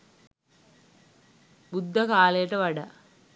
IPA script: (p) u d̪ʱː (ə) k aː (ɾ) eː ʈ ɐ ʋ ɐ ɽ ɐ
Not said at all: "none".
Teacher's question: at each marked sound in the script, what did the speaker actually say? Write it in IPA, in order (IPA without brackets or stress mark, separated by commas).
b, ɐ, l